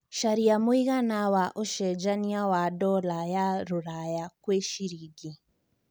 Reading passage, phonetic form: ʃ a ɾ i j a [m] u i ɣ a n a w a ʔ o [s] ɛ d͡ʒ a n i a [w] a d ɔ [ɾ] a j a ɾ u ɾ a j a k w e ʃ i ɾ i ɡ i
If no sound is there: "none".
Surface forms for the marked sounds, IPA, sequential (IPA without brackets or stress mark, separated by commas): m, ʃ, w, l